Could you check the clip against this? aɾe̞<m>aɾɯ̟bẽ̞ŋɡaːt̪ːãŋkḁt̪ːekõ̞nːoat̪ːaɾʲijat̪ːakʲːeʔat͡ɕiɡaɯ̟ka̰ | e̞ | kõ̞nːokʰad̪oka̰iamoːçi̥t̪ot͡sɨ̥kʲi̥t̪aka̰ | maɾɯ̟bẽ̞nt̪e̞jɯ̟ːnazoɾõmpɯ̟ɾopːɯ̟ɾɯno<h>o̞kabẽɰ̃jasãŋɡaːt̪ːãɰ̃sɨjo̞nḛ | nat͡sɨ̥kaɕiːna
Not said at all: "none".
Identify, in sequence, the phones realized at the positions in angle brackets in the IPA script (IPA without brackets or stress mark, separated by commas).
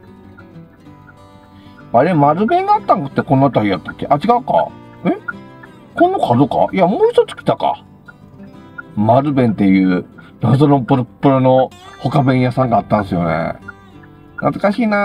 m, h